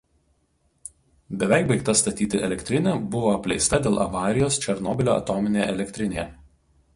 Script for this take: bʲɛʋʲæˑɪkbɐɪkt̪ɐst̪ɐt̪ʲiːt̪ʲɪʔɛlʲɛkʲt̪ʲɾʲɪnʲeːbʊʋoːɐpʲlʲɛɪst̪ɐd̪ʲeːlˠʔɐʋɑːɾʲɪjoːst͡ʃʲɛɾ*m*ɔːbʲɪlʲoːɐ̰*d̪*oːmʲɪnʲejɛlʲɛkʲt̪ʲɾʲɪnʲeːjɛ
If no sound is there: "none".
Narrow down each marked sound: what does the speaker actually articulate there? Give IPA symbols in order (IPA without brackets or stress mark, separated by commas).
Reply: n, t̪